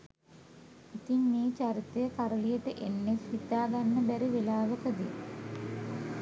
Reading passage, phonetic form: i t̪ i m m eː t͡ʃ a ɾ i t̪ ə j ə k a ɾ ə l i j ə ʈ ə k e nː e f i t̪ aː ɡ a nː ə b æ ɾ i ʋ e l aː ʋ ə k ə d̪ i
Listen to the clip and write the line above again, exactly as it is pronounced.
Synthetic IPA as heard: i t̪ i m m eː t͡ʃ a ɾ i t̪ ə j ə k a ɾ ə l i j ə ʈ ə ʔ e nː e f i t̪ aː ɡ a nː ə b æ ɾ i ʋ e l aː ʋ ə k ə d̪ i